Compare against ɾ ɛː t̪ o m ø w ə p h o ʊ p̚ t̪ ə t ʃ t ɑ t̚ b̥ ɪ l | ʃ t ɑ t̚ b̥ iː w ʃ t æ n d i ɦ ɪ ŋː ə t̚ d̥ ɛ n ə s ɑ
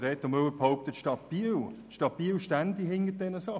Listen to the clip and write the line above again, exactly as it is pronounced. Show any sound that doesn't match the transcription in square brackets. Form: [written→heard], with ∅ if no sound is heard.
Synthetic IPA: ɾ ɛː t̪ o m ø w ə p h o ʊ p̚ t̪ ə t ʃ t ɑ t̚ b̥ [ɪ→i] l | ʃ t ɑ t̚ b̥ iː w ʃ t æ n d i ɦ ɪ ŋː ə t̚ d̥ ɛ n ə s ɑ